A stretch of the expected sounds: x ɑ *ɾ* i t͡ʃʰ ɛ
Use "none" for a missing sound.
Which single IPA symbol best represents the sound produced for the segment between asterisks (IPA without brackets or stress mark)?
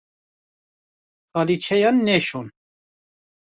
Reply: l